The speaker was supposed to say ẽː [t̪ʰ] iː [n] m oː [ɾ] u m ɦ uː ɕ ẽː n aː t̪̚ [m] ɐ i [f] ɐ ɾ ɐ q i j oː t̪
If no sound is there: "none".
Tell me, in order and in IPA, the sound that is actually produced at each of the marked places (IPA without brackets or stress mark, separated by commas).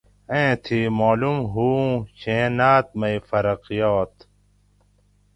t̪ʰ, none, l, m, f